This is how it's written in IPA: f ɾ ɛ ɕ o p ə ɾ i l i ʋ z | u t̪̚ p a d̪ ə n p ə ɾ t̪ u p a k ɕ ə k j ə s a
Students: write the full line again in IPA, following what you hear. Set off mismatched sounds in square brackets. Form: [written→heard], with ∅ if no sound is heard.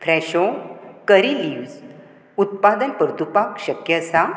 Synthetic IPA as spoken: f ɾ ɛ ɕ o [p→k] ə ɾ i l i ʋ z | u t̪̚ p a d̪ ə n p ə ɾ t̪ u p a k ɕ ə k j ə s a